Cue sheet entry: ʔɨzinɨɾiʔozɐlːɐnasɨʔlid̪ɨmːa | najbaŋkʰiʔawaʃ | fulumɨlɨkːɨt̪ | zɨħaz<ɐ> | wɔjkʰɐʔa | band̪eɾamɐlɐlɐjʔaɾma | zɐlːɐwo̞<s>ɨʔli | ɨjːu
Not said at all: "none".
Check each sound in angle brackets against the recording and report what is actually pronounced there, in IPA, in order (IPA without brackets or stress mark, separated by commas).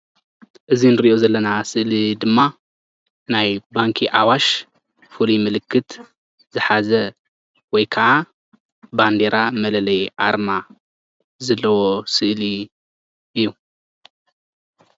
ɐ, s